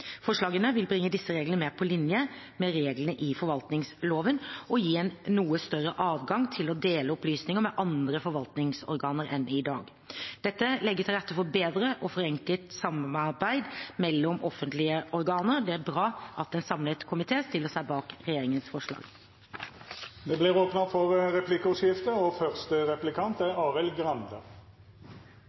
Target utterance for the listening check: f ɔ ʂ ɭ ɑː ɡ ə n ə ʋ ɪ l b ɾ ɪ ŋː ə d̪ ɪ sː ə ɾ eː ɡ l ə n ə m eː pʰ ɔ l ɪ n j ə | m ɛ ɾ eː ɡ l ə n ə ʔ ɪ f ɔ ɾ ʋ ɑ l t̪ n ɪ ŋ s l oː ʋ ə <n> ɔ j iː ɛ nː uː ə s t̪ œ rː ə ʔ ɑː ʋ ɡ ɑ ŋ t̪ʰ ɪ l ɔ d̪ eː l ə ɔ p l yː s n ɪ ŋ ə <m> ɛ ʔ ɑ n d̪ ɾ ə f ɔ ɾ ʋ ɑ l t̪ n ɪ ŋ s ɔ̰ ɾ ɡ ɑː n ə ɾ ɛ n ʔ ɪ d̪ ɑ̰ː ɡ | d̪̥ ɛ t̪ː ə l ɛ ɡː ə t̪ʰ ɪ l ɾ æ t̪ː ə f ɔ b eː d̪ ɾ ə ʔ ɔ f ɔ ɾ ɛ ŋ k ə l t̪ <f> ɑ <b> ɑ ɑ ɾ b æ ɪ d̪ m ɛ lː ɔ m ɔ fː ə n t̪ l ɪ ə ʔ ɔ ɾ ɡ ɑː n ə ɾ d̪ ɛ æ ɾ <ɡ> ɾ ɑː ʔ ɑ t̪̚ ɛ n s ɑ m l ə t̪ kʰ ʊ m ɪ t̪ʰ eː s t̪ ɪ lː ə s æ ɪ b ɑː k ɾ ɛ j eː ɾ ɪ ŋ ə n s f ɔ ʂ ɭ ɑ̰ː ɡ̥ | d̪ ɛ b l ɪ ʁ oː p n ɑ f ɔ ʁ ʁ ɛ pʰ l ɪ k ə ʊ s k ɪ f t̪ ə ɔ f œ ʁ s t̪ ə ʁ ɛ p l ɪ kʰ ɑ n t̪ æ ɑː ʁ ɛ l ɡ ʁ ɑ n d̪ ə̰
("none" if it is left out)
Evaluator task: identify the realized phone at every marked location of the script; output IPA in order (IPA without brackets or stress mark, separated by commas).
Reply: n, m, s, m, b